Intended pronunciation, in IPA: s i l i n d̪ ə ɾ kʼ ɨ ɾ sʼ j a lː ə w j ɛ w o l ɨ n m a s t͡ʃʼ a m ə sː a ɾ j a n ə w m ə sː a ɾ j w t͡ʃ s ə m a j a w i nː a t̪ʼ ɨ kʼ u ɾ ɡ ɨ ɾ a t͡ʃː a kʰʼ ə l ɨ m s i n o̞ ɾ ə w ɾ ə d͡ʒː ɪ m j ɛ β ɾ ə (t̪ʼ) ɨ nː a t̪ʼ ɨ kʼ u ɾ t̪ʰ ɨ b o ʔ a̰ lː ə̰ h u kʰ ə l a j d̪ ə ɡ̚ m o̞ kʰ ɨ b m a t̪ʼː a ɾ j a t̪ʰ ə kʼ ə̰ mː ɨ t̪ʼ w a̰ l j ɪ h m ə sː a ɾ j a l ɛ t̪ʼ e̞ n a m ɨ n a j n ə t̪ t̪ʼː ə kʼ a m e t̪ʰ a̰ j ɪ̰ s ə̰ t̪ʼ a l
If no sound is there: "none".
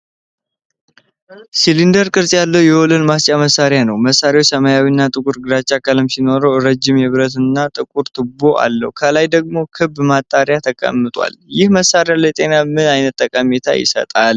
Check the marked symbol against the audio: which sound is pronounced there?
t̪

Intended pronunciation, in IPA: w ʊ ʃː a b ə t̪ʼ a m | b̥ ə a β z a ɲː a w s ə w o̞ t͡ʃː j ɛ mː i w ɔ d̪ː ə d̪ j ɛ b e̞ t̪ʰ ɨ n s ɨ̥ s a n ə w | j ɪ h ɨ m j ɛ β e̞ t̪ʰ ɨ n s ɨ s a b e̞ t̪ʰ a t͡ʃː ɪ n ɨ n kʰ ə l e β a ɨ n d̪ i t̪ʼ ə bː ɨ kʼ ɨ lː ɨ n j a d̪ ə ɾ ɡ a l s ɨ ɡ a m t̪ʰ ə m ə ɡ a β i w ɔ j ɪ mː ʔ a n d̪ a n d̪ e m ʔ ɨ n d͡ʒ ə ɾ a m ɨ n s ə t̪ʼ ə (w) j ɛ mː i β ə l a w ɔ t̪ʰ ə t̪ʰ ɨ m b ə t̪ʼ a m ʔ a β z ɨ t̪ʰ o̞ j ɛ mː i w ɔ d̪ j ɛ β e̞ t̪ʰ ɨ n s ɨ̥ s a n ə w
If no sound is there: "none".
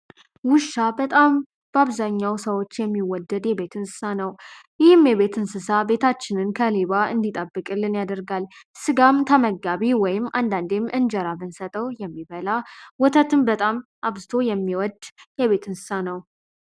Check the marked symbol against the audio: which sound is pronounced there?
w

